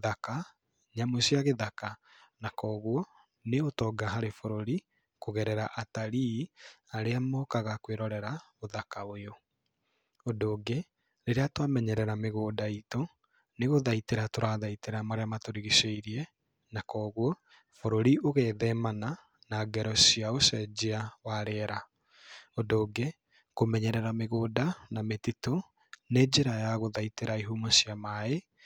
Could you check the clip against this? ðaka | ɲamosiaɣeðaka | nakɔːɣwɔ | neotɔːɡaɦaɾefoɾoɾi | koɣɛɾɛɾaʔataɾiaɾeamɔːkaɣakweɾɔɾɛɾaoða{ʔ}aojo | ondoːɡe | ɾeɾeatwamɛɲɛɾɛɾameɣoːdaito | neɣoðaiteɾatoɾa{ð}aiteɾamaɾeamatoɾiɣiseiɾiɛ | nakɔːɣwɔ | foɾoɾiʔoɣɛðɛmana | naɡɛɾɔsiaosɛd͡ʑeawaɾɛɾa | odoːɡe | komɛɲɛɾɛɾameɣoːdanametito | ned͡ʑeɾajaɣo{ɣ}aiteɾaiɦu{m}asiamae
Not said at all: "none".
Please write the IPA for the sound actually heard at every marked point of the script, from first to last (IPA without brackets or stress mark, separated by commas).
k, ð, ð, m